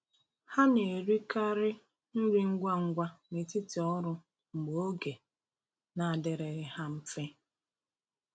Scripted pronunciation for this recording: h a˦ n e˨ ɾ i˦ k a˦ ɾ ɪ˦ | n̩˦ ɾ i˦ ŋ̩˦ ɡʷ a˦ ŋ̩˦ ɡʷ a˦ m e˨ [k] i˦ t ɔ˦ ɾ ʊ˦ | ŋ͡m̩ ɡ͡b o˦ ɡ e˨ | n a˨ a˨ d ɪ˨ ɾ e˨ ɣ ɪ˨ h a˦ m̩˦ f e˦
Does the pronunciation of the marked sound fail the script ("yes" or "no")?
yes